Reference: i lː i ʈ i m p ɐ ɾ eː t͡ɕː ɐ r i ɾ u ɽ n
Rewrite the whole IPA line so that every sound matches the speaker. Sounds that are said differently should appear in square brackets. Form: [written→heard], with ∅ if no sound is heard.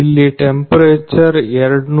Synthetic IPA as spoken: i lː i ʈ [i→e] m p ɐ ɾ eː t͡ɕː ɐ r [i→e] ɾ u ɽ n